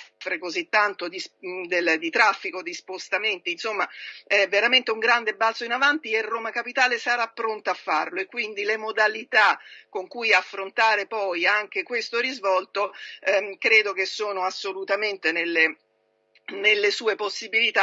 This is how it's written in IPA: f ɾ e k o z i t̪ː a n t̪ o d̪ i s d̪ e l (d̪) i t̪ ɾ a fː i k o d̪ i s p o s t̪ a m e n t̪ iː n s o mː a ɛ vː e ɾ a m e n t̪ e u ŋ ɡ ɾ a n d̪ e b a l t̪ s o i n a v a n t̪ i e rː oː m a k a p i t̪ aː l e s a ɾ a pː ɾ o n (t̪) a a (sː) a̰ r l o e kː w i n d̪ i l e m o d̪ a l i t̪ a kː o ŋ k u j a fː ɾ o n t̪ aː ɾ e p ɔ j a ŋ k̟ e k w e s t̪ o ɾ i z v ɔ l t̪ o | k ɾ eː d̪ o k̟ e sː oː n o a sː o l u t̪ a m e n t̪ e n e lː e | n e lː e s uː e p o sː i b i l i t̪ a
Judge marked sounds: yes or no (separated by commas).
yes, yes, no